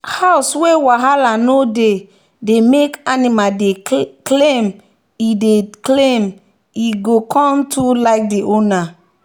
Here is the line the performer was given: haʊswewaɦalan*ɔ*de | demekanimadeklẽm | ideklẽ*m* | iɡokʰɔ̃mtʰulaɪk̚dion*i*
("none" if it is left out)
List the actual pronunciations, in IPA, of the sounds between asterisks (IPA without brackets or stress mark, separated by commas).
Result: o, m, a